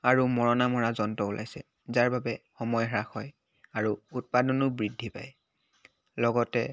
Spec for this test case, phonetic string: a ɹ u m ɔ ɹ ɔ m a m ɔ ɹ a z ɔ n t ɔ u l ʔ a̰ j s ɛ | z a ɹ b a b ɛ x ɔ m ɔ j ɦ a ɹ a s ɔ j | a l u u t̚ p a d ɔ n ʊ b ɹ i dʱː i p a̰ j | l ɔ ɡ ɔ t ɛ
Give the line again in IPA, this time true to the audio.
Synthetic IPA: a ɹ u m ɔ ɹ ɔ n a m ɔ ɹ a z ɔ n t ɔ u l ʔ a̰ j s ɛ | z a ɹ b a b ɛ x ɔ m ɔ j ɦ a ɹ a x ɔ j | a ɹ u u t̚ p a d ɔ n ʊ b ɹ i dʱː i p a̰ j | l ɔ ɡ ɔ t ɛ